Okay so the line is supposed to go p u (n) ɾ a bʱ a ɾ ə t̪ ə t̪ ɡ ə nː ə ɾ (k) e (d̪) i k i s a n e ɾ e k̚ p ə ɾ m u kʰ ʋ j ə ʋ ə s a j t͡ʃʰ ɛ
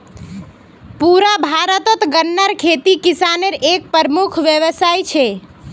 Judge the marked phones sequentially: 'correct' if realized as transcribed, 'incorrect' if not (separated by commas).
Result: incorrect, incorrect, incorrect